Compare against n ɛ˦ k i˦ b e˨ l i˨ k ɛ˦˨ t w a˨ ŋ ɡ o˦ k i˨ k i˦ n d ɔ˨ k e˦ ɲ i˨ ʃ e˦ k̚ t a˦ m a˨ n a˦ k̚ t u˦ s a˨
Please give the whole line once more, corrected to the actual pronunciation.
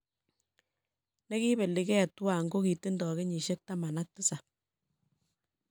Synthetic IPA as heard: n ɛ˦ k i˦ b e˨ l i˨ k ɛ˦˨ t w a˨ ŋ ɡ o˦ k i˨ t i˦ n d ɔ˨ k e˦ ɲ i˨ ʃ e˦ k̚ t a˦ m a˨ n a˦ k̚ t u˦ s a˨